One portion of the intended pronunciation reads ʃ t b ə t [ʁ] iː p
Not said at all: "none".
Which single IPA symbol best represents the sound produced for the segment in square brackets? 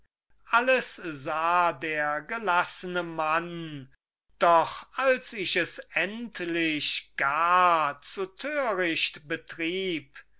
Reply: ʁ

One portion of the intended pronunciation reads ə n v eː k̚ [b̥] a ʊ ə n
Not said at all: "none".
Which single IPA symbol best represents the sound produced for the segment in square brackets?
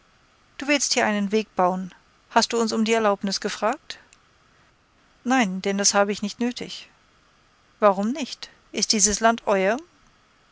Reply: b̥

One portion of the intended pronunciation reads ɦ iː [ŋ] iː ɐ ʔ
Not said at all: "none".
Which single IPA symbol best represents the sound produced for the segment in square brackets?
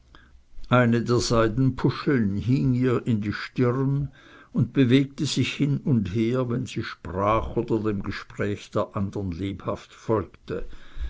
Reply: ŋ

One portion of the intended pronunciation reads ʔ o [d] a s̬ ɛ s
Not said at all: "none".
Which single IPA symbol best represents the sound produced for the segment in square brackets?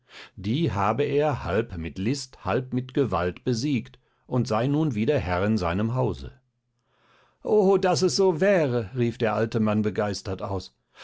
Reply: d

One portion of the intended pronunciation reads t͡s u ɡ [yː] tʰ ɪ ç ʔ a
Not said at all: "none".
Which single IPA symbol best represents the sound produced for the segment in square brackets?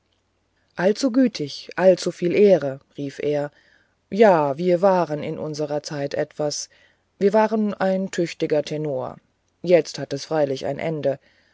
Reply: yː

